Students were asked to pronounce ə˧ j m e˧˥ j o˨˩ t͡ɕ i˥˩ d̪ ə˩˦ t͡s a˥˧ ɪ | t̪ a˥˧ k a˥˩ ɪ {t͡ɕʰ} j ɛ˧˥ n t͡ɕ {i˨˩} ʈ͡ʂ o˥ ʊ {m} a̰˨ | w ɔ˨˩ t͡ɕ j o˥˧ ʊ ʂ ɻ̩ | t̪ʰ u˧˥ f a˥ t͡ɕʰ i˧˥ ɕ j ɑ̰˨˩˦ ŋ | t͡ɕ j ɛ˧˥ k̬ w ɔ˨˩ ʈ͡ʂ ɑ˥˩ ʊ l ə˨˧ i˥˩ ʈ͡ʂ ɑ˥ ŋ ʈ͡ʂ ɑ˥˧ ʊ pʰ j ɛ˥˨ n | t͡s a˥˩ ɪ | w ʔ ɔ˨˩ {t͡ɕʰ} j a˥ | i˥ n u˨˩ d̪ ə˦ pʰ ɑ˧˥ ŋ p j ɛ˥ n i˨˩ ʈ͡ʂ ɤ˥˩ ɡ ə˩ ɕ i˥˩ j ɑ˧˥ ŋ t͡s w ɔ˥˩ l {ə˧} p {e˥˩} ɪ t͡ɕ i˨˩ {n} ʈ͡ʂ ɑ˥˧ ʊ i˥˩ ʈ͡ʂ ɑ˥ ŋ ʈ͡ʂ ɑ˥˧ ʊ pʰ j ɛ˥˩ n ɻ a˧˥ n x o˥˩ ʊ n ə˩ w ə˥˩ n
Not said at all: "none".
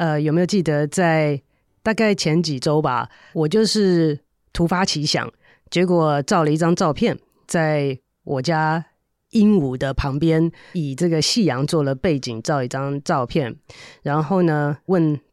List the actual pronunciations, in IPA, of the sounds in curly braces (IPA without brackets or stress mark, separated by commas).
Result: t͡ɕʰ, i˨˩, b, t͡ɕ, ə˩, e˥˩, ŋ